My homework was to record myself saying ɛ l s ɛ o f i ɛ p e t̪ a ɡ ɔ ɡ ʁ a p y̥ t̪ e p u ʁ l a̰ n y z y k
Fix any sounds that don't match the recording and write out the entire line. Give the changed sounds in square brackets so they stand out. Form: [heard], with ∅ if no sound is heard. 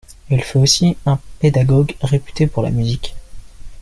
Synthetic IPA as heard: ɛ l [f] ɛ o [s] i [ɛ̃] p e [d̪] a ɡ ɔ ɡ ʁ [e] p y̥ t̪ e p u ʁ l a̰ [m] y z [i] k